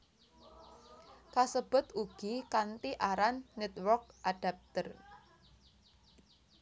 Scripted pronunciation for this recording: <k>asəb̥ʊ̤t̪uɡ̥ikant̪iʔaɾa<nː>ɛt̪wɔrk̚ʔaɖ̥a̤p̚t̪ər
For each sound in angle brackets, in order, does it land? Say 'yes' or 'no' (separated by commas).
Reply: yes, yes